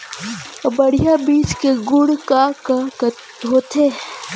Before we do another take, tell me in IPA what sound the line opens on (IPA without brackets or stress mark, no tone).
b